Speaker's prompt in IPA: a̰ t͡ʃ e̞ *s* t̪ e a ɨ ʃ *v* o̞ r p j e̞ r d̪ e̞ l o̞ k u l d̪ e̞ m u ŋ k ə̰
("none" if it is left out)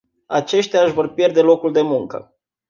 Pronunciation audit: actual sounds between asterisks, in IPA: ʃ, v

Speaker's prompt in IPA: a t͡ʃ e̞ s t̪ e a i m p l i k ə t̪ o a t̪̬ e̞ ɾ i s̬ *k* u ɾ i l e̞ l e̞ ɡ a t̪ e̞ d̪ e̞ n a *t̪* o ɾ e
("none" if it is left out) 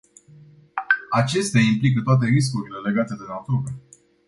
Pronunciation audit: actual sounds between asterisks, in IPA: k, t̪

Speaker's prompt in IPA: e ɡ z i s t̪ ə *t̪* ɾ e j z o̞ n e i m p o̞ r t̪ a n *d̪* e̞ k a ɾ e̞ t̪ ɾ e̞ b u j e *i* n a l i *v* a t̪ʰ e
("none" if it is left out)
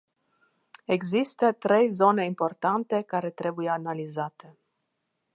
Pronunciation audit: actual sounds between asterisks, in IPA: t̪, t̪, a, z

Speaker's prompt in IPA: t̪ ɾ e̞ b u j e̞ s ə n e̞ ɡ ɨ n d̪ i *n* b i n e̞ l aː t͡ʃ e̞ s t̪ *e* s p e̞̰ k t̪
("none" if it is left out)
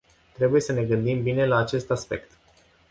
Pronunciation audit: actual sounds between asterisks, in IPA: m, a

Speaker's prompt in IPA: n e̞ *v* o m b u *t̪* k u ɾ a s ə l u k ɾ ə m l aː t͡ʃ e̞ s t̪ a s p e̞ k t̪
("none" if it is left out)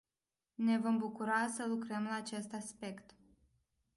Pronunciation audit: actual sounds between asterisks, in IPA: v, none

